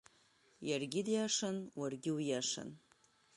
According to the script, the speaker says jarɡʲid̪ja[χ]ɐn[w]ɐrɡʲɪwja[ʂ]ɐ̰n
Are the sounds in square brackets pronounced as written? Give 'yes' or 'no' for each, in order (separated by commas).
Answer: no, yes, yes